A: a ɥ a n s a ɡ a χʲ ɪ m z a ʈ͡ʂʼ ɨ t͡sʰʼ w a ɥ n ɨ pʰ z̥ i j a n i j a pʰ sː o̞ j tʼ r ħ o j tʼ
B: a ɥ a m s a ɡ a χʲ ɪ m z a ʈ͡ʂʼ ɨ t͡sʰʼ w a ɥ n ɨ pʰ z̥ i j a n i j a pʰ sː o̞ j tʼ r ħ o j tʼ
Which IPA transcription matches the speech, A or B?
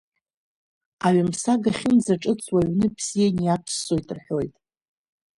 B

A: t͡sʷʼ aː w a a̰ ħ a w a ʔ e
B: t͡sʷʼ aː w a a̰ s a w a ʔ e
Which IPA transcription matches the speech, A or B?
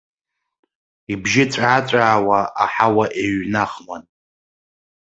A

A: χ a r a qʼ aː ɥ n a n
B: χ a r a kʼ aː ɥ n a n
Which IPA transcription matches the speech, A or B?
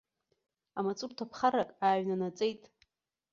B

